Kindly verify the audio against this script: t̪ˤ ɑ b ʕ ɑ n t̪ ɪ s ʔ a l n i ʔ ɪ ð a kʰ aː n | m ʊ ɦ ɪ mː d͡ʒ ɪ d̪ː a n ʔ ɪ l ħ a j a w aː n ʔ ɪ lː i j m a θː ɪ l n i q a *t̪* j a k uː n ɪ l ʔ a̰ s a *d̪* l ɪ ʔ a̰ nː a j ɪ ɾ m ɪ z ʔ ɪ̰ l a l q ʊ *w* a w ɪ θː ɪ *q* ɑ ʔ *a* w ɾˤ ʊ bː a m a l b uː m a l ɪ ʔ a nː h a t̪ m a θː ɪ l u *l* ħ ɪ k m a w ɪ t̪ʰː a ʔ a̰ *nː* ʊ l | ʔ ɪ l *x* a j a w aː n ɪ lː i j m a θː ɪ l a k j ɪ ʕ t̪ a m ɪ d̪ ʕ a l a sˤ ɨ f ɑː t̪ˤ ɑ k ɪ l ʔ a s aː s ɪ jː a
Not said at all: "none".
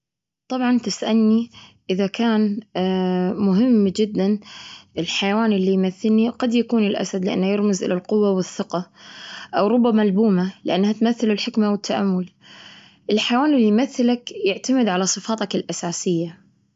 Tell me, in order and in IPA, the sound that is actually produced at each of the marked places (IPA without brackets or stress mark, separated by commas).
d̪, d̪, wː, q, a, l, mː, ħ